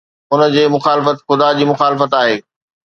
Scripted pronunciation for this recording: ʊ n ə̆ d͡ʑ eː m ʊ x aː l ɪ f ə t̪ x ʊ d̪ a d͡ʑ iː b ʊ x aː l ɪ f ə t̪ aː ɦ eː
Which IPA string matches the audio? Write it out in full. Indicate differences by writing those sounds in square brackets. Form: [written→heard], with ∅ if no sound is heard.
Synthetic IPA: ʊ n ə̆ d͡ʑ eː m ʊ x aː l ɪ f ə t̪ x ʊ d̪ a d͡ʑ iː [b→m] ʊ x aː l ɪ f ə t̪ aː ɦ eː